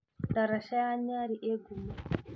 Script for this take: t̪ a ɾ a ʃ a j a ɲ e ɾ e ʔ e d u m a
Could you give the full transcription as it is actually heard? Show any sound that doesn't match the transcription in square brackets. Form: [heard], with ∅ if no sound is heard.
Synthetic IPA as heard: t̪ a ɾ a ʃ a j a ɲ [a] ɾ [i] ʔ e [ɡ] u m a